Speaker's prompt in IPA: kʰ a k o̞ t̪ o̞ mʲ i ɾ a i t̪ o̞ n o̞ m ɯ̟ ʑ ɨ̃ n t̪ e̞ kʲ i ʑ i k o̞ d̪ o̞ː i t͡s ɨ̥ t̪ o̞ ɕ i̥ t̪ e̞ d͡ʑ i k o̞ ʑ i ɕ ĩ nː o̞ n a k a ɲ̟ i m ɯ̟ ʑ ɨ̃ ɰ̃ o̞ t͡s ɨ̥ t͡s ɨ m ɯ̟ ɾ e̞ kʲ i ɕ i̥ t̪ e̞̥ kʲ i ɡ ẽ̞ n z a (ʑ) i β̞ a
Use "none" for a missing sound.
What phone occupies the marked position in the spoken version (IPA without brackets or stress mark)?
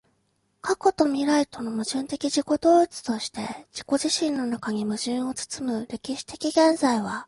none